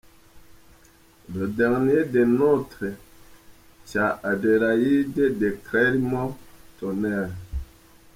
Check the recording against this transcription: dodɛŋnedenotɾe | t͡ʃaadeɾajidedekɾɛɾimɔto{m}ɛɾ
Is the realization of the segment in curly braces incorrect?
yes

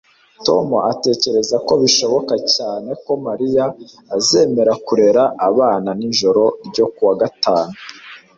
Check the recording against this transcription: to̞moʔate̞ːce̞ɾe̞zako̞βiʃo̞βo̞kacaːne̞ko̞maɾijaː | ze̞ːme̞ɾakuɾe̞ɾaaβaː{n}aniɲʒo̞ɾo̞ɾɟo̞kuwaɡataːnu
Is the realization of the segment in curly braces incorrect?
no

